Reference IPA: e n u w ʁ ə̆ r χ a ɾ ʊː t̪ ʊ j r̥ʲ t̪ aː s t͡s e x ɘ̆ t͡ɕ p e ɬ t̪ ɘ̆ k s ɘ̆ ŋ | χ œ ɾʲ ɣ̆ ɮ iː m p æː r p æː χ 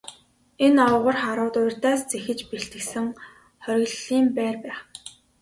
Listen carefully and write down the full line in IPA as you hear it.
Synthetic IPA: e n ɔ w ʁ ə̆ r χ a ɾ ʊː t̪ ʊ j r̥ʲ t̪ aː s t͡s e x ɘ̆ t͡ɕ p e ɬ t̪ ɘ̆ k s ɘ̆ ŋ | χ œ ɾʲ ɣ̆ ɮ iː m p æː r p æː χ